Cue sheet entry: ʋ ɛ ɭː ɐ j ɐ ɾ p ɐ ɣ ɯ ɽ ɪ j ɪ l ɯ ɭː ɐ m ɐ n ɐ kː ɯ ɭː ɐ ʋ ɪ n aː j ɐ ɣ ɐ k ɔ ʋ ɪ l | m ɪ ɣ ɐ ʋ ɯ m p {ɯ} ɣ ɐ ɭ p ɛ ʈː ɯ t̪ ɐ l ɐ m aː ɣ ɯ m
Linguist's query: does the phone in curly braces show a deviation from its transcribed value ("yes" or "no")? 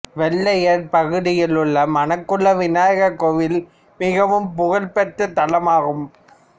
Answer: yes